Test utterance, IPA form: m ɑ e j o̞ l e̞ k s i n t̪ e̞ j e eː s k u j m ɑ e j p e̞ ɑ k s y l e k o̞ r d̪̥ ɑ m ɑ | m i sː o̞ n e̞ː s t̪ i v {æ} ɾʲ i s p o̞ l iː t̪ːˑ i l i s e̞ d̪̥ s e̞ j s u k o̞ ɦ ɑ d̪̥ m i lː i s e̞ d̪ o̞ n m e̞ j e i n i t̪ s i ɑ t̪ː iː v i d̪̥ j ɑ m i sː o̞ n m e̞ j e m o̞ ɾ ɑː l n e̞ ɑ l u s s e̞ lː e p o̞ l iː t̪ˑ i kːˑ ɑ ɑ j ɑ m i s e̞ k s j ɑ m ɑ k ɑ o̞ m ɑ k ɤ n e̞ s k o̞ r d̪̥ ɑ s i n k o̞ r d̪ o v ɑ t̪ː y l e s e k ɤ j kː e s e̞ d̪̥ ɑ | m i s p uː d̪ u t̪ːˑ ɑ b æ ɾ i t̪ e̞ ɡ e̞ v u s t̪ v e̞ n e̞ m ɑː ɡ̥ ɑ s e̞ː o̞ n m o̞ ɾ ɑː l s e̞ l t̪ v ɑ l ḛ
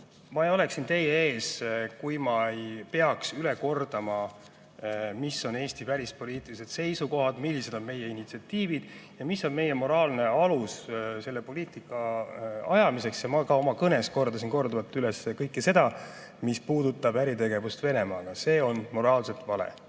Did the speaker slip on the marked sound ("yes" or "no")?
no